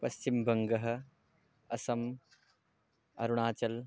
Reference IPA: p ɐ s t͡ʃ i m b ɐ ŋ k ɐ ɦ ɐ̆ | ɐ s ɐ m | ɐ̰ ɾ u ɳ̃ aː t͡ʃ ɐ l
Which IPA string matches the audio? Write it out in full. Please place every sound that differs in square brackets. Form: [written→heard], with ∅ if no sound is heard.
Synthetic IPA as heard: p ɐ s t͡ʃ i m b ɐ ŋ [k→ɡ] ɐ ɦ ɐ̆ | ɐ s ɐ m | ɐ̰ ɾ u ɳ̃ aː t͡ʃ ɐ l